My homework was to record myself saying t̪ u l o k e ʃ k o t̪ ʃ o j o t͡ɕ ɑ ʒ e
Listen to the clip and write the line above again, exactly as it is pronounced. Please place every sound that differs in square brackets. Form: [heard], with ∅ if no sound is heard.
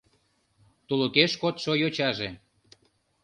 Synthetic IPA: t̪ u l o k e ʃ k o t̪ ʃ o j o t͡ɕ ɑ ʒ e